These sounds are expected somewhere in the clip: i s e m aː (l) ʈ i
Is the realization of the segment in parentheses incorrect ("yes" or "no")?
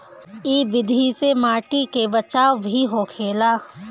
yes